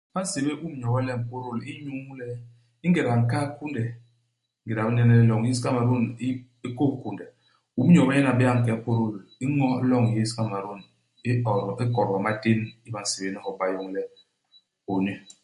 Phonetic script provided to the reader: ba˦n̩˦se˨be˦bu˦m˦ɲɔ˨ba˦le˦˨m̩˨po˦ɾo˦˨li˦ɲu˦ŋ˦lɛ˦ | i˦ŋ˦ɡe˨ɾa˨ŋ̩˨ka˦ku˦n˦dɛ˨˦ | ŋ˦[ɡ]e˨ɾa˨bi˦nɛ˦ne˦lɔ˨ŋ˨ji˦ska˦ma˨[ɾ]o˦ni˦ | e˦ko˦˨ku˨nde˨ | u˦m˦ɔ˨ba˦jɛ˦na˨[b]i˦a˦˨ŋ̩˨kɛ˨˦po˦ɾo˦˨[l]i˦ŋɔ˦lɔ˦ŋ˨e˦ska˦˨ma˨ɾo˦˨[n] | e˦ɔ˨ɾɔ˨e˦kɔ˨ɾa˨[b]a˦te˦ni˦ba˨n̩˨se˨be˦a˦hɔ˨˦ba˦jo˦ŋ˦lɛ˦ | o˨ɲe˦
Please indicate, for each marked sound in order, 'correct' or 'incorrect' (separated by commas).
correct, correct, correct, correct, correct, incorrect